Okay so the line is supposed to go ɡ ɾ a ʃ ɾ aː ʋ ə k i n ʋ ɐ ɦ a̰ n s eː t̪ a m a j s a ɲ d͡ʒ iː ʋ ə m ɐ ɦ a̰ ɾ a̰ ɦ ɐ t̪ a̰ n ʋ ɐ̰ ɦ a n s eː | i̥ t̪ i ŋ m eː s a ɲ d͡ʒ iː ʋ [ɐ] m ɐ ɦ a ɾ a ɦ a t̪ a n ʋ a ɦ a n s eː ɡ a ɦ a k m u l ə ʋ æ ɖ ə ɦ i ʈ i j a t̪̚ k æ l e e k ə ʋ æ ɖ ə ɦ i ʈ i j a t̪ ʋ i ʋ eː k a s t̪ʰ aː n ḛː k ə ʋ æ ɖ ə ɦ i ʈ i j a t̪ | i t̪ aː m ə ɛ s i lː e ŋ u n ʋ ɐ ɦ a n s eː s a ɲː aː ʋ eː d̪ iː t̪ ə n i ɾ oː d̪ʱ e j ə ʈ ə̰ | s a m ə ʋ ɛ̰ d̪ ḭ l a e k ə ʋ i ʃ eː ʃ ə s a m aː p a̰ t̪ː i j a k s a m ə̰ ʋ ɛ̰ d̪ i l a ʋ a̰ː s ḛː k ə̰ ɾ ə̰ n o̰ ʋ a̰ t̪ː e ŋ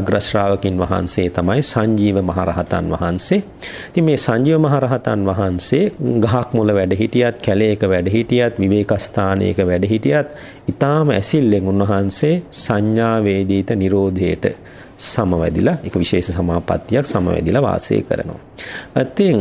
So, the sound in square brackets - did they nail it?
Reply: no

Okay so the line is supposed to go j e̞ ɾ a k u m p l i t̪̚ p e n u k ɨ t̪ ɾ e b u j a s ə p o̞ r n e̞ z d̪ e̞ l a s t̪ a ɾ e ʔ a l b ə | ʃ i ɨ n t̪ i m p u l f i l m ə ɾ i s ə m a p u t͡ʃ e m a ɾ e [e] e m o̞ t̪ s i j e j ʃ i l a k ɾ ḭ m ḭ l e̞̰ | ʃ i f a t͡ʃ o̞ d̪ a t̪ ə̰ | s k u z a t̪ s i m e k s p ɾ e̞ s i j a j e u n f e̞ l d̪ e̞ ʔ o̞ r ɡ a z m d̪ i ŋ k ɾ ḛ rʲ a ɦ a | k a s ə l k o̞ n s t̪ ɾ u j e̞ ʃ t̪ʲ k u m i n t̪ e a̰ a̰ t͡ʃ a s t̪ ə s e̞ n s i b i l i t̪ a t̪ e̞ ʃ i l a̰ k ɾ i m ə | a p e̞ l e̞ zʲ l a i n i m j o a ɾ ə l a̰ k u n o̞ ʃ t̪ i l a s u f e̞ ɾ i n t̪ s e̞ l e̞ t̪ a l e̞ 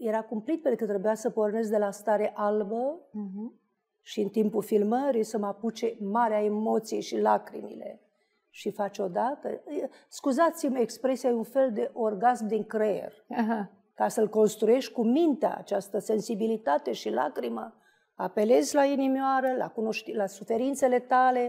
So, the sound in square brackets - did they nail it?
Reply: no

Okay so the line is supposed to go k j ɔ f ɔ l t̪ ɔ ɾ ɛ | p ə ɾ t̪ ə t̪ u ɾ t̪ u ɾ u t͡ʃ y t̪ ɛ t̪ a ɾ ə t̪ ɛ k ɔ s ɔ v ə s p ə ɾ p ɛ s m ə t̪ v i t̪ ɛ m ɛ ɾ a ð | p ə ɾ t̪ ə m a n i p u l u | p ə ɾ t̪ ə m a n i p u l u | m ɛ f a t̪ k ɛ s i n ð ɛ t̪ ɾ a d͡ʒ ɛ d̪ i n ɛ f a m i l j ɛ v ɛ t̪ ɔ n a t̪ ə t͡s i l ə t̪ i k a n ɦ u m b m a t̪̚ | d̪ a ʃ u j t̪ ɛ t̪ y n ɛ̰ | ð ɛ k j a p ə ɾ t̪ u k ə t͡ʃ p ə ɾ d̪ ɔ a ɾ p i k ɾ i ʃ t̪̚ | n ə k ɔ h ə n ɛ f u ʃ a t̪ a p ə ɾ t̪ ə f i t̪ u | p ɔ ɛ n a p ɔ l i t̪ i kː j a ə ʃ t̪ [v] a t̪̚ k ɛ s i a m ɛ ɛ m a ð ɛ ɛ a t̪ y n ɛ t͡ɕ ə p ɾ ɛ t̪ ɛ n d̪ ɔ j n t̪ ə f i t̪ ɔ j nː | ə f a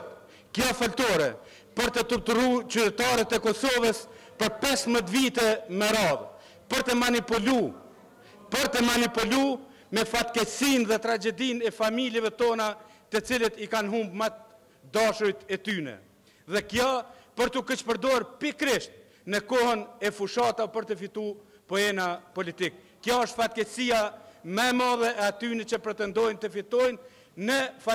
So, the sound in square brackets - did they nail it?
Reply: no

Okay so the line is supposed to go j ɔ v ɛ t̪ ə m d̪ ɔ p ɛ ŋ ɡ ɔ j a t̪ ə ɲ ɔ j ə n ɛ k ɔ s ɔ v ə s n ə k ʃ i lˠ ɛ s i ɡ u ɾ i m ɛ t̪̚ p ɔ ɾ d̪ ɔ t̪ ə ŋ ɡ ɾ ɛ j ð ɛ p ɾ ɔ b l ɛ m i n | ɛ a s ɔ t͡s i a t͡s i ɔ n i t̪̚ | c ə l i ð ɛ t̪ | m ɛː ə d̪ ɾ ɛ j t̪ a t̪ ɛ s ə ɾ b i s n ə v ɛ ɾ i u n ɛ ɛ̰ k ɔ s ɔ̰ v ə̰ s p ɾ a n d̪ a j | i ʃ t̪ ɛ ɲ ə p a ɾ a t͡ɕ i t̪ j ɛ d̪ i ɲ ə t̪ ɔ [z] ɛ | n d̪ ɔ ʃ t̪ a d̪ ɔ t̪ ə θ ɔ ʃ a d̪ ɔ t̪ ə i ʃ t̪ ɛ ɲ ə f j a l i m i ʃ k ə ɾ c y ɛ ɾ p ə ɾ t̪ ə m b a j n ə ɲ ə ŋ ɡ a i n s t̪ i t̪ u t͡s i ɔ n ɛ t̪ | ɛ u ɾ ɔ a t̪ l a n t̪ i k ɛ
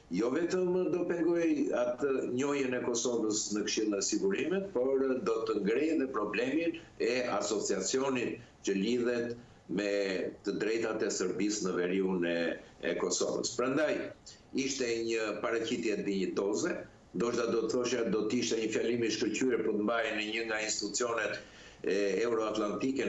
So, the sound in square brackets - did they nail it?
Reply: yes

